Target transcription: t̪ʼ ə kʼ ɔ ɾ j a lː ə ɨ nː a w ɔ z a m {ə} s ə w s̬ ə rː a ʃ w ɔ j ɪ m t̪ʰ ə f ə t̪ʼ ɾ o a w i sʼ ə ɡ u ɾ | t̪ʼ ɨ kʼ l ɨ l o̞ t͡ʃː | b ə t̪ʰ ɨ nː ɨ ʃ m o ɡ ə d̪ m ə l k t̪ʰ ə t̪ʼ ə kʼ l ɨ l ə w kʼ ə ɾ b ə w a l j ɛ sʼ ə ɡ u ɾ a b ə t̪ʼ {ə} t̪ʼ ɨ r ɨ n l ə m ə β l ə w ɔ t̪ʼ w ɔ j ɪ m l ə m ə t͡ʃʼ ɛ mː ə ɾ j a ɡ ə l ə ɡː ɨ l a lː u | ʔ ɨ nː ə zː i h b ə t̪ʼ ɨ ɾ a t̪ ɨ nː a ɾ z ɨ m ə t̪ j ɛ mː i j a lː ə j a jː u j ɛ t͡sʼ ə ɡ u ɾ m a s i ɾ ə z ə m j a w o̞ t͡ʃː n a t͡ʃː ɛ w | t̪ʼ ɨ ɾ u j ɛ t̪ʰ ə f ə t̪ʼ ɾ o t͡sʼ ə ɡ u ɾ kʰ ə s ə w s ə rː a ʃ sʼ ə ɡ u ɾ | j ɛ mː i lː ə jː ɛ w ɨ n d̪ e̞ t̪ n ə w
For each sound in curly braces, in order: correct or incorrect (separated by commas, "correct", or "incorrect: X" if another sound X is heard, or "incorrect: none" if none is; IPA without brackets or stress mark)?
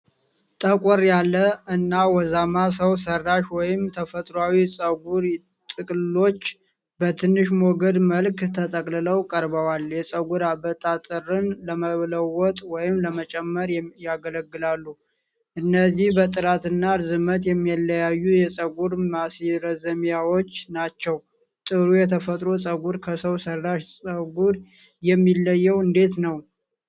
incorrect: a, incorrect: a